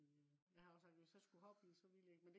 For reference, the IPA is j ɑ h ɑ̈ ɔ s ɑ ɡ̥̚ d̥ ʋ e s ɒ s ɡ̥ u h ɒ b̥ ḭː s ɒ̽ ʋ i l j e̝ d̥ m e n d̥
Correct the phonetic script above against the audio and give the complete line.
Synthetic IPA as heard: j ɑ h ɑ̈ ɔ s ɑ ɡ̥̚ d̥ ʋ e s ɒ s ɡ̥ u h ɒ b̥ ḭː s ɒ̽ ʋ i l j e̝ ɡ̥ m e n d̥